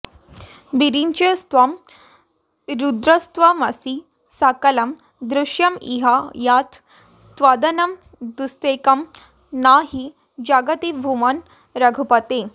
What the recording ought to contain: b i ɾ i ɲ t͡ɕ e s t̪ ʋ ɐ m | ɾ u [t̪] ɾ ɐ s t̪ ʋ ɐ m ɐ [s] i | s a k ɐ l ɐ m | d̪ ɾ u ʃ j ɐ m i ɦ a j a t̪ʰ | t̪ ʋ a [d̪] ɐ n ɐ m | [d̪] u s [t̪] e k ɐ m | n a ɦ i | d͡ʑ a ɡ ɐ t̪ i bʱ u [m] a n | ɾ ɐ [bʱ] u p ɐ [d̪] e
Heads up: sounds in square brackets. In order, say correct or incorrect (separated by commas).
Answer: incorrect, correct, correct, correct, correct, correct, incorrect, incorrect